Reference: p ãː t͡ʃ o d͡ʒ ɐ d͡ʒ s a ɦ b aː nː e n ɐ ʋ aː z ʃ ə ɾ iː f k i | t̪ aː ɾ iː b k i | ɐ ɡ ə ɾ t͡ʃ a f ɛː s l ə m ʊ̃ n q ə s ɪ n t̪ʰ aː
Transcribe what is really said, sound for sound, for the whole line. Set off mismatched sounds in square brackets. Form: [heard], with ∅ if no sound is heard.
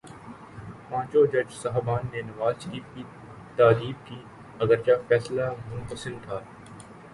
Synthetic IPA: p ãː t͡ʃ o d͡ʒ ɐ d͡ʒ s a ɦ b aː nː e n ɐ ʋ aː z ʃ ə ɾ iː f k i | t̪ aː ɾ iː b k i | ɐ ɡ ə ɾ t͡ʃ a f ɛː s l [a] m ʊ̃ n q ə s ɪ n t̪ʰ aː